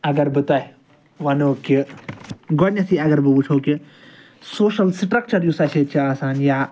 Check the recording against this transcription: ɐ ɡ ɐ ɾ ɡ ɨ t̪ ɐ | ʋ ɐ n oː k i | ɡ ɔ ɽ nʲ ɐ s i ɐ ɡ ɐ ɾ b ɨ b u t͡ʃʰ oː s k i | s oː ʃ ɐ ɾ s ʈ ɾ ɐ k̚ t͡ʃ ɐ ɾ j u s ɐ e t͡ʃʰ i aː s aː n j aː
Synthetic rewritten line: ɐ ɡ ɐ ɾ b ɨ t̪ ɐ | ʋ ɐ n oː k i | ɡ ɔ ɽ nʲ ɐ s i ɐ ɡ ɐ ɾ b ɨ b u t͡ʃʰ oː k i | s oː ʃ ɐ l s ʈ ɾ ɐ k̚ t͡ʃ ɐ ɾ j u s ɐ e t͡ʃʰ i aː s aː n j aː